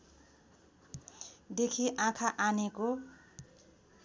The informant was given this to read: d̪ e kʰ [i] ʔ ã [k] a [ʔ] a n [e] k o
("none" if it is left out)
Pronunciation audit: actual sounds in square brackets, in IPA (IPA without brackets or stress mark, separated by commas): i, kʰ, ʔ, e